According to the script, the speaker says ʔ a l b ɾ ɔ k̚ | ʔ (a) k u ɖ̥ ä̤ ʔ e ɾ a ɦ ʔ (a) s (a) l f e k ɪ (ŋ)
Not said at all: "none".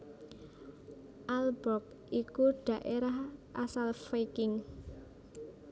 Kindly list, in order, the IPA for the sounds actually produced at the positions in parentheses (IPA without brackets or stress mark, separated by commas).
i, a, a, ŋ